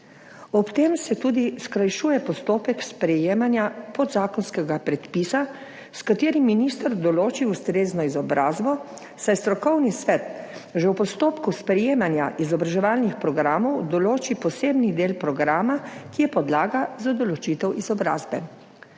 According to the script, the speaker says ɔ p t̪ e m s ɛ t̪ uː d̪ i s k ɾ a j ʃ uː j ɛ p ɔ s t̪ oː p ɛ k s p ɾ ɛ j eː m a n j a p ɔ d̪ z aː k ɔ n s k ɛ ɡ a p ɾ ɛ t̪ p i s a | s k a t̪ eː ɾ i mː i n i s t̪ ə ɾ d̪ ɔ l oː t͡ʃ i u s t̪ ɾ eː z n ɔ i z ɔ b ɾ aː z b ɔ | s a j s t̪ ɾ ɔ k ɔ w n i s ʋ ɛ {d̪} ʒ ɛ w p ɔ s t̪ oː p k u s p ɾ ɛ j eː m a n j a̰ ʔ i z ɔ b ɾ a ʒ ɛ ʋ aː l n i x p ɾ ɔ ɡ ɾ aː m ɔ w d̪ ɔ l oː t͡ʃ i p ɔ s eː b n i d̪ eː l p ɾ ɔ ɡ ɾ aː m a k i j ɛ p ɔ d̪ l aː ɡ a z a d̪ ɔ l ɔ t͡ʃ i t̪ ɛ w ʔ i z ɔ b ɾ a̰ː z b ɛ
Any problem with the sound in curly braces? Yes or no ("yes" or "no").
yes